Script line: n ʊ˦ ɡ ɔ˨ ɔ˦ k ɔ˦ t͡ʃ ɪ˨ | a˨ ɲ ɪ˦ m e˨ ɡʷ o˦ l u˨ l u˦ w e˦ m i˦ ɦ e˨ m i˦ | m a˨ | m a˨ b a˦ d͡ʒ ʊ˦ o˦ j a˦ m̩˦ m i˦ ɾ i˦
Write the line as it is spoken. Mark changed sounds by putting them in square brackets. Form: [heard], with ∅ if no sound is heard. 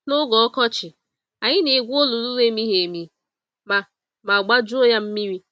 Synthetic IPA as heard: n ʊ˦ ɡ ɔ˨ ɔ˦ k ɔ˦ t͡ʃ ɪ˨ | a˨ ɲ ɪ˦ [n] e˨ ɡʷ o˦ l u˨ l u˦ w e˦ m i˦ ɦ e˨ m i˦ | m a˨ | m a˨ [ɡ͡b] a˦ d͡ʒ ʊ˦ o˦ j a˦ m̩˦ m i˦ ɾ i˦